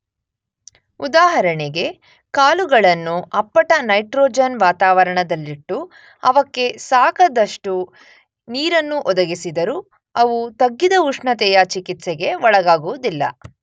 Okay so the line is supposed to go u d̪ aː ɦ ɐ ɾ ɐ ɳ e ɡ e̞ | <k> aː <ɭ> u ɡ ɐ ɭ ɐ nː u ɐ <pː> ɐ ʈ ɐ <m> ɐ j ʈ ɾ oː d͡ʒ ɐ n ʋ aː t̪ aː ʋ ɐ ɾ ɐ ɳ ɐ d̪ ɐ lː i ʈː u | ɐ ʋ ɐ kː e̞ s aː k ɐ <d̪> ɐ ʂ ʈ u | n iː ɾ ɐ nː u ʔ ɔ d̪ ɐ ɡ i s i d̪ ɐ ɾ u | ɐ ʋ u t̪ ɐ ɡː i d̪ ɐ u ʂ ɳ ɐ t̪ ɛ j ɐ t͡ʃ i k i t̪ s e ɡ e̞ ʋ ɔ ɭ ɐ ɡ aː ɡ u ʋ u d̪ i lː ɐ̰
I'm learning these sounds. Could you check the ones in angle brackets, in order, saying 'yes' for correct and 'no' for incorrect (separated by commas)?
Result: yes, no, yes, no, yes